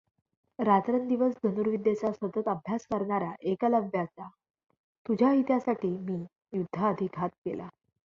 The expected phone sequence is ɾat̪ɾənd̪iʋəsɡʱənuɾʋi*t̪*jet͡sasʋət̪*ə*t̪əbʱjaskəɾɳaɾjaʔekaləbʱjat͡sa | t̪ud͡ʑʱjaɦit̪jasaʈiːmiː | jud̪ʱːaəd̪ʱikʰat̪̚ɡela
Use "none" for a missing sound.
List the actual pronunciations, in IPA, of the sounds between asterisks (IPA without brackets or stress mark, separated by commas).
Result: d̪, ə